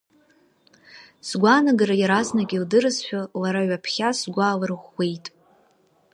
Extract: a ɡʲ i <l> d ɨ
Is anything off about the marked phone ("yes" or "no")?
no